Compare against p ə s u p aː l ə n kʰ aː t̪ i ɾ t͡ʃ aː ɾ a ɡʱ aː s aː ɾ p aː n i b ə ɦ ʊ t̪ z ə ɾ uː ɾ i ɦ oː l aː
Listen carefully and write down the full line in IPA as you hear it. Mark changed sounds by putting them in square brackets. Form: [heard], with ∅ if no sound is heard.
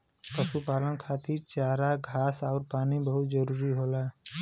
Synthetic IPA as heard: p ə s u p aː l ə n kʰ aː t̪ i ɾ t͡ʃ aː ɾ a ɡʱ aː s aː ɾ p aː n i b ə ɦ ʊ t̪ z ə ɾ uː ɾ i ɦ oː l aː